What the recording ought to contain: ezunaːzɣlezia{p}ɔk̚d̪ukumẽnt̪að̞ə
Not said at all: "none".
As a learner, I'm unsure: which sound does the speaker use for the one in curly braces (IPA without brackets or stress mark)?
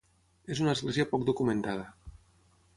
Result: p